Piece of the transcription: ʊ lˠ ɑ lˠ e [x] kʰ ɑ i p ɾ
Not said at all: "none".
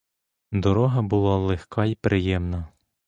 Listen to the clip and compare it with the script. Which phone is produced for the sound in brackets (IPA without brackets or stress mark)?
x